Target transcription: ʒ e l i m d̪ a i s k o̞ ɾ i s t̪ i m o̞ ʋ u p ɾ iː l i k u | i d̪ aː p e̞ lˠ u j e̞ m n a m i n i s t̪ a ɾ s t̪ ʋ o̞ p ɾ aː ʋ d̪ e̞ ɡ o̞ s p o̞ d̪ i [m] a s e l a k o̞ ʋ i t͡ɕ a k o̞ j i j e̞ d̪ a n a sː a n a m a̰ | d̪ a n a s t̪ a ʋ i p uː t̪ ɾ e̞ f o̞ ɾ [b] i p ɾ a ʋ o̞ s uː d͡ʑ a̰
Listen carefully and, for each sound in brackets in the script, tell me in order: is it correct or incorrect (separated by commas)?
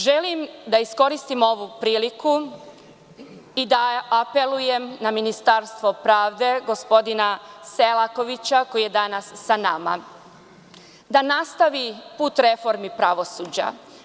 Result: incorrect, incorrect